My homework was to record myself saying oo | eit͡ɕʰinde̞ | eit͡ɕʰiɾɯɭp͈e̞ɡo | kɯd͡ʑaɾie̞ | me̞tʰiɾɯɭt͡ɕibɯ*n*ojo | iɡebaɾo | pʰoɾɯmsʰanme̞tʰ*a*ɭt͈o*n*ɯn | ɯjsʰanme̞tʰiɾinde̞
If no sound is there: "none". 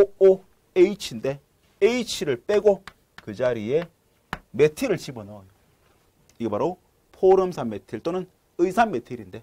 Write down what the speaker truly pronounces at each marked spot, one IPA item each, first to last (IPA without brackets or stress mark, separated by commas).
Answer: n, i, n